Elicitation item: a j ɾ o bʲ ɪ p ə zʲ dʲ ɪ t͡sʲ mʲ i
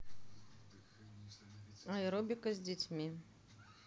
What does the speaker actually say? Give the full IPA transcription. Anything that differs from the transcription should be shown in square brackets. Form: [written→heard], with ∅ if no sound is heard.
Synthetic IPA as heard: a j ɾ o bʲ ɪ [p→k] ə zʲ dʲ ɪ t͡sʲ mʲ i